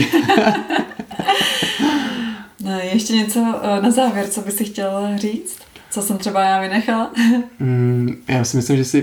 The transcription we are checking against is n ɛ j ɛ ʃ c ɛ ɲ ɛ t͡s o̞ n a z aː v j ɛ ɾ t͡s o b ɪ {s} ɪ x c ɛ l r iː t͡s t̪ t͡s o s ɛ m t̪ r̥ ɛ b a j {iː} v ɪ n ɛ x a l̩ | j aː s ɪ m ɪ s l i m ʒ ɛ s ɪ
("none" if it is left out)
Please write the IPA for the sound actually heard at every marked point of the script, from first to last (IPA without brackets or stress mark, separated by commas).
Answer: s, aː